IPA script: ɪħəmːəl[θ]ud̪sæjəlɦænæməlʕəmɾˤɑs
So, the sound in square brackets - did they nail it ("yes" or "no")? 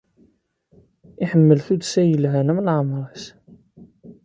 yes